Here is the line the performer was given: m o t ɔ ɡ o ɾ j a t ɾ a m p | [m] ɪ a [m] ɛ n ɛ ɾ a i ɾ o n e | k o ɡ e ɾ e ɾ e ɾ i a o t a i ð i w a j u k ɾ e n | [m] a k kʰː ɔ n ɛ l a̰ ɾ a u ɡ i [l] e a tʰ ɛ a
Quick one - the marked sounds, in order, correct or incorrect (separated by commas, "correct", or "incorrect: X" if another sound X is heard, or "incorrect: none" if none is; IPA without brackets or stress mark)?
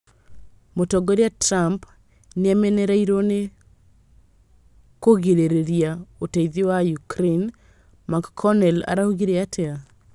incorrect: n, correct, correct, incorrect: ɾ